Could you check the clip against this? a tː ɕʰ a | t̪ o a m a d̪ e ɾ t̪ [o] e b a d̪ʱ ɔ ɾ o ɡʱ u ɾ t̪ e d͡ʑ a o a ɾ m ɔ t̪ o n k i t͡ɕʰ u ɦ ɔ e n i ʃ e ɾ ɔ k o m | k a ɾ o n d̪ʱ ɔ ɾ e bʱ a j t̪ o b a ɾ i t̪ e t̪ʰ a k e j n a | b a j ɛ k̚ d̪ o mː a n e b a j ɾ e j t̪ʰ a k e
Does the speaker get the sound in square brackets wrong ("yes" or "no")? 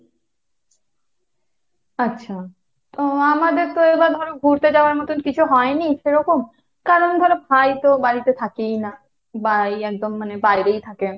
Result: no